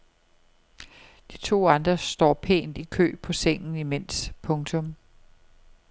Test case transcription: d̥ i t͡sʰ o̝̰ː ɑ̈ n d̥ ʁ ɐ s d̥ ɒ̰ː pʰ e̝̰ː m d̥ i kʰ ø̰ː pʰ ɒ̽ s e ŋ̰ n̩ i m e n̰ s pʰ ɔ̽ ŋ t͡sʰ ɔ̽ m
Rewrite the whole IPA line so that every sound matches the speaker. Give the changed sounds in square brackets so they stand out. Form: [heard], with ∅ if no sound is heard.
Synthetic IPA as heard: d̥ i t͡sʰ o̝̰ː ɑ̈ n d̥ ʁ ɐ s d̥ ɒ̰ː pʰ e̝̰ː [n] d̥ i kʰ ø̰ː pʰ ɒ̽ s e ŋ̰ n̩ i m e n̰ s pʰ ɔ̽ ŋ t͡sʰ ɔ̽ m